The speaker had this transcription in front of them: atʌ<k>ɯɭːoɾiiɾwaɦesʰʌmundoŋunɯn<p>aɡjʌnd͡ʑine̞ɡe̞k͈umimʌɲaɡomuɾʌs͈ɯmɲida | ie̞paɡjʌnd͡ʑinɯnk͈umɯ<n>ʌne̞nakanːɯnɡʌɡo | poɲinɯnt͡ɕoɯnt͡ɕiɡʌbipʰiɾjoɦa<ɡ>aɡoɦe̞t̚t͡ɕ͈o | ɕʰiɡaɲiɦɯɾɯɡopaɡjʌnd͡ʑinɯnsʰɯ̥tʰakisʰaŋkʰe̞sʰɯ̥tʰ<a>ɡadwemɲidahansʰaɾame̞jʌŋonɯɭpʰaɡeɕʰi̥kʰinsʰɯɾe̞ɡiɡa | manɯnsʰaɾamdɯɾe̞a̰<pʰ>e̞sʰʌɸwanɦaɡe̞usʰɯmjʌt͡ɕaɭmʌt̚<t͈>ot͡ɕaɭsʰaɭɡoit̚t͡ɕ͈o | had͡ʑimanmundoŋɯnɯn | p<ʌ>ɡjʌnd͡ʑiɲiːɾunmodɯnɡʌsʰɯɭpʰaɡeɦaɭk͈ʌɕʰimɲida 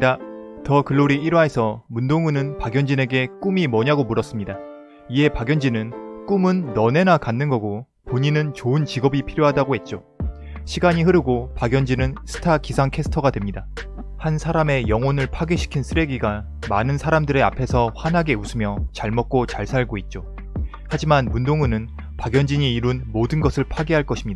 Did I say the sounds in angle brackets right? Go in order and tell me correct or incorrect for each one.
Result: correct, correct, incorrect, incorrect, incorrect, correct, incorrect, incorrect

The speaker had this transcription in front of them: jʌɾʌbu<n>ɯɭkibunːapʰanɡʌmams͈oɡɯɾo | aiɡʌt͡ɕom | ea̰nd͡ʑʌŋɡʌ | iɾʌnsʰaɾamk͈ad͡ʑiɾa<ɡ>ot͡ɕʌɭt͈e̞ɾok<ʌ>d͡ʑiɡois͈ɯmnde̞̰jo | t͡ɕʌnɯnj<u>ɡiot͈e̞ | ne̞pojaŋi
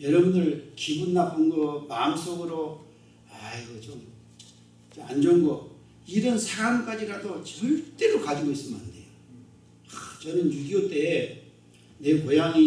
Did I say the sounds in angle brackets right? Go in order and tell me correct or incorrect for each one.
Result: correct, incorrect, incorrect, correct

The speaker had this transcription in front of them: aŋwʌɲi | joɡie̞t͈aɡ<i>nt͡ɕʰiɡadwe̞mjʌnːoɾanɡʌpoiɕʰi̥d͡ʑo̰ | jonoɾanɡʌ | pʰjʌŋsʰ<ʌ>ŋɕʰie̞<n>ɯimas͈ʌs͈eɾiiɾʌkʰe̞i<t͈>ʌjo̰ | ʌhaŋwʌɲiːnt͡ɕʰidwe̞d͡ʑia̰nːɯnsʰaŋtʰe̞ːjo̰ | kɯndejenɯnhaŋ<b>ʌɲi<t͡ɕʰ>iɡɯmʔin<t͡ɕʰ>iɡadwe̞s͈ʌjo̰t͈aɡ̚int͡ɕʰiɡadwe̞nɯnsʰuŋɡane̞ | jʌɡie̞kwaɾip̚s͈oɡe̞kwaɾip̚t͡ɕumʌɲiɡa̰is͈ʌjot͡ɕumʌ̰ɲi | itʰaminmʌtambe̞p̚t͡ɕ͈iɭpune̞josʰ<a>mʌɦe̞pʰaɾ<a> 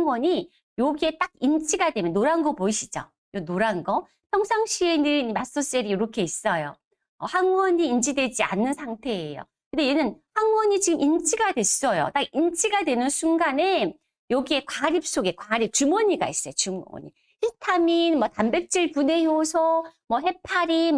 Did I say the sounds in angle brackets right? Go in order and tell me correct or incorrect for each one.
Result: correct, incorrect, correct, incorrect, incorrect, incorrect, correct, incorrect, incorrect

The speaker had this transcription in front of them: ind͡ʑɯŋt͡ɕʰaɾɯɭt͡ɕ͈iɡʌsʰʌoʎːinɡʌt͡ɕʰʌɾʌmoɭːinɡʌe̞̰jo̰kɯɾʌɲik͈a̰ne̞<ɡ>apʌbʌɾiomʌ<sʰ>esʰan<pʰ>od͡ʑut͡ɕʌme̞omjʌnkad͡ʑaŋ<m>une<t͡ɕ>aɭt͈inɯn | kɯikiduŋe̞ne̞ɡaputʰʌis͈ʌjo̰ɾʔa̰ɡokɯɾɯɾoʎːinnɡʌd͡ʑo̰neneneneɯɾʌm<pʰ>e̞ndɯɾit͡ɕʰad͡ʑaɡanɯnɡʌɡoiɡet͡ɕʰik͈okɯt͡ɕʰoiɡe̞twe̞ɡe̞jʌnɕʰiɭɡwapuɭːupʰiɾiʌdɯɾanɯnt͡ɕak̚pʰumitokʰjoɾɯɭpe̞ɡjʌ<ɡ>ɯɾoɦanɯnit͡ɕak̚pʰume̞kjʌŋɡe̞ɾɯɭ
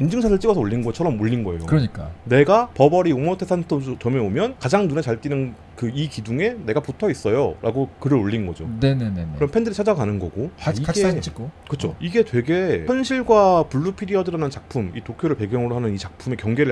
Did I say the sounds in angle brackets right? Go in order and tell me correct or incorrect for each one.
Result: correct, incorrect, incorrect, incorrect, correct, correct, incorrect

